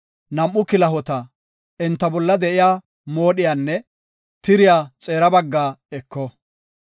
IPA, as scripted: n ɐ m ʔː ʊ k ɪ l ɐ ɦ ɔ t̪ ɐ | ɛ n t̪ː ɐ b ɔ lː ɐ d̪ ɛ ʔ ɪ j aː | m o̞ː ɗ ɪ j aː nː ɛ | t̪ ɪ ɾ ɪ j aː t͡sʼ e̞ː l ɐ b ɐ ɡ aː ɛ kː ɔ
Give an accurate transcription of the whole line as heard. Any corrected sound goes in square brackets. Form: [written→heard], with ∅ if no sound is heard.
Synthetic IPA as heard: n ɐ m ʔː ʊ k ɪ l ɐ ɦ ɔ t̪ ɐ | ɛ n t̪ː ɐ b ɔ lː ɐ d̪ ɛ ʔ ɪ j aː | m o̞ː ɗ ɪ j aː nː ɛ | t̪ ɪ ɾ ɪ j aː t͡sʼ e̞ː [l→ɾ] ɐ b ɐ [ɡ→ɡː] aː ɛ kː ɔ